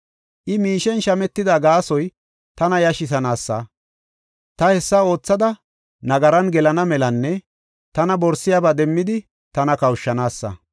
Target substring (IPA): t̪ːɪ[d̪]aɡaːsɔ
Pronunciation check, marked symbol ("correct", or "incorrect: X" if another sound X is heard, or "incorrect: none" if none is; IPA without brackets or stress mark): correct